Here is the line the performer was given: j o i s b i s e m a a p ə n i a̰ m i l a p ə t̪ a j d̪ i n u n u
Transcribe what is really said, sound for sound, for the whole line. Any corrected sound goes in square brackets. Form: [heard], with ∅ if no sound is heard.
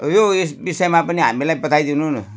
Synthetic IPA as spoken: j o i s b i s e m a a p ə n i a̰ m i l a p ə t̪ a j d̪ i n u n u